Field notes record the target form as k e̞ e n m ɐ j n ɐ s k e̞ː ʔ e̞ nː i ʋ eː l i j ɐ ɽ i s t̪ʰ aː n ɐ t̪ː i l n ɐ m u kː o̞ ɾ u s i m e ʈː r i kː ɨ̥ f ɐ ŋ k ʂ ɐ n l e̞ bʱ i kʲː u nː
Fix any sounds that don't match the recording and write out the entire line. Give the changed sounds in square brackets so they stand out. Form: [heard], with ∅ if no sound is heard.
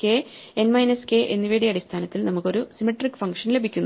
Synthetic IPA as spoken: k e̞ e n m ɐ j n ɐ s k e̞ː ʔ e̞ nː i ʋ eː [ɽ] i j ɐ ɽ i s t̪ʰ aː n ɐ t̪ː i l n ɐ m u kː o̞ ɾ u s i m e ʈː r i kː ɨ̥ f ɐ ŋ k ʂ ɐ n l e̞ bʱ i kʲː u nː